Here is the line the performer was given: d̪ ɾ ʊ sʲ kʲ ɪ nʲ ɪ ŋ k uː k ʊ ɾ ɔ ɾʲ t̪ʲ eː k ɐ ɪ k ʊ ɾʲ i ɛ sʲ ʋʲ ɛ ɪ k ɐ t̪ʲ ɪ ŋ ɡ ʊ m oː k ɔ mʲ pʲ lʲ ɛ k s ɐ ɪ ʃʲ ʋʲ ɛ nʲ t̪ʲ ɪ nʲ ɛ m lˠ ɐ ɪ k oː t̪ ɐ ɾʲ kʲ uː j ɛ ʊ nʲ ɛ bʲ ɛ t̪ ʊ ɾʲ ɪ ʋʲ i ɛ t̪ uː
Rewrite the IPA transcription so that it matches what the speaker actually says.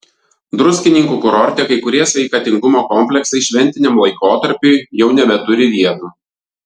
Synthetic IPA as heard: d̪ ɾ ʊ sʲ kʲ ɪ nʲ ɪ ŋ k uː k ʊ ɾ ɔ ɾʲ t̪ʲ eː k ɐ ɪ k ʊ ɾʲ i ɛ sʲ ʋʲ ɛ ɪ k ɐ t̪ʲ ɪ ŋ ɡ ʊ m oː k ɔ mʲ pʲ lʲ ɛ k s ɐ ɪ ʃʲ ʋʲ ɛ nʲ t̪ʲ ɪ nʲ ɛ m lˠ ɐ ɪ k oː t̪ ɐ ɾʲ pʲ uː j ɛ ʊ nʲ ɛ bʲ ɛ t̪ ʊ ɾʲ ɪ ʋʲ i ɛ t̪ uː

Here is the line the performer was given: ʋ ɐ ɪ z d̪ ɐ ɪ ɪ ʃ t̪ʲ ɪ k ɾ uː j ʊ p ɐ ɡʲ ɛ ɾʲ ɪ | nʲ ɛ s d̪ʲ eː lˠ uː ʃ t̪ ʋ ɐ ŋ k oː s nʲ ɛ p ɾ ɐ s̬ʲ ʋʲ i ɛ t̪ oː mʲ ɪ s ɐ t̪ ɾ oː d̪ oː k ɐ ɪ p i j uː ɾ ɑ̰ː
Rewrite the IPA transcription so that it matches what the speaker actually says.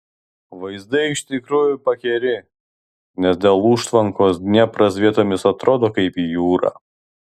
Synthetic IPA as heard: ʋ ɐ ɪ z d̪ ɐ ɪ ɪ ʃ t̪ʲ ɪ k ɾ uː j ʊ p ɐ kʲ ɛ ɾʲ ɪ | nʲ ɛ s d̪ʲ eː lˠ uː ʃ t̪ ʋ ɐ ŋ k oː s nʲ ɛ p ɾ ɐ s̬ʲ ʋʲ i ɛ t̪ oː mʲ ɪ s ɐ t̪ ɾ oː d̪ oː k ɐ ɪ p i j uː ɾ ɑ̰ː

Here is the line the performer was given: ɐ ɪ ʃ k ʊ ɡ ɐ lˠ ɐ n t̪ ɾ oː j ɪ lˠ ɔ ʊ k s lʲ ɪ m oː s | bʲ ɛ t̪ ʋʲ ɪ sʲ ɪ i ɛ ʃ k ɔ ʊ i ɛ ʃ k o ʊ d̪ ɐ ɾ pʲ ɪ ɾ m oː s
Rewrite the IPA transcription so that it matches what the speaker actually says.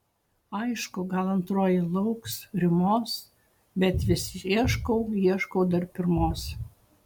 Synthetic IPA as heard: ɐ ɪ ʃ k ʊ ɡ ɐ lˠ ɐ n t̪ ɾ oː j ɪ lˠ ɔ ʊ k s ɾʲ ɪ m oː s | bʲ ɛ t̪ ʋʲ ɪ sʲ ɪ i ɛ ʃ k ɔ ʊ i ɛ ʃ k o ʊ d̪ ɐ ɾ pʲ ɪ ɾ m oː s

